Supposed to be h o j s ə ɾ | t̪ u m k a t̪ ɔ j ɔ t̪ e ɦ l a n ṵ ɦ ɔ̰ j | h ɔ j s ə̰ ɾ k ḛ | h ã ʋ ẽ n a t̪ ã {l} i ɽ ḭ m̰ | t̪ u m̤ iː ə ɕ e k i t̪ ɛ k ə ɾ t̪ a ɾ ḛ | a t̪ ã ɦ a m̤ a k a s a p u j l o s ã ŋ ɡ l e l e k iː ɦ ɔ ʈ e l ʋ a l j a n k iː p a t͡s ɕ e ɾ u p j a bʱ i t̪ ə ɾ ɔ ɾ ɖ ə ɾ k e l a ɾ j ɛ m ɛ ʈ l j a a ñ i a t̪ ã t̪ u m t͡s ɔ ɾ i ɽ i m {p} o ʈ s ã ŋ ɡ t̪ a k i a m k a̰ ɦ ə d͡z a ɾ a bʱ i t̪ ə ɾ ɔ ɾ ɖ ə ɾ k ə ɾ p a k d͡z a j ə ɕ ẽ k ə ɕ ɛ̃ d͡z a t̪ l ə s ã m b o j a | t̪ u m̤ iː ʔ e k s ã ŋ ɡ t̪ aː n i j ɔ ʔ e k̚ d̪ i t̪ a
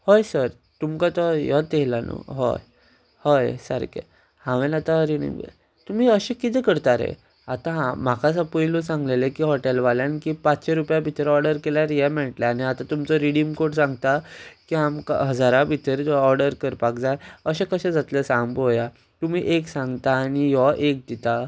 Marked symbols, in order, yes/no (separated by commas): no, no